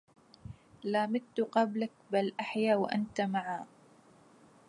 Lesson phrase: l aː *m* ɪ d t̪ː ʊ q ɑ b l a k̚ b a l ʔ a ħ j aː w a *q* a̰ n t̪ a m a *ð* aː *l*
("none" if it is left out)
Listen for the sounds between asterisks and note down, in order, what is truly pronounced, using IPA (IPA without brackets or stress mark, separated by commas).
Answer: m, ʔ, ʕ, none